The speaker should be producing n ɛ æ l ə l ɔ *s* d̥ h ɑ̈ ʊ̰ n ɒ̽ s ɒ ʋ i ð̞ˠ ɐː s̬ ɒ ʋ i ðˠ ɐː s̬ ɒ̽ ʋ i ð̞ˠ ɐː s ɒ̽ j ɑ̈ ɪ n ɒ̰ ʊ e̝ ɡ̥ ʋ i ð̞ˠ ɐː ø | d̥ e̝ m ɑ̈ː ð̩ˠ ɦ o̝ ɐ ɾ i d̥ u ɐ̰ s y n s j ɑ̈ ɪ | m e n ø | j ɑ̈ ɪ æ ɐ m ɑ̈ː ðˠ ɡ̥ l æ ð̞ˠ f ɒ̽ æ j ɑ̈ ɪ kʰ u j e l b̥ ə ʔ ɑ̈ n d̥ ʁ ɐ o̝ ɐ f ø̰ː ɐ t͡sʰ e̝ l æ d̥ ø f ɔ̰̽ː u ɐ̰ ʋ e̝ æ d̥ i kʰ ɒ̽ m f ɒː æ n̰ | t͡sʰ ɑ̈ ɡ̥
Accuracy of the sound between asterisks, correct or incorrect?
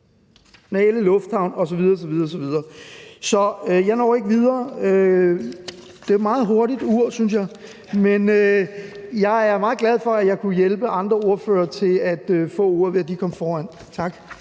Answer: incorrect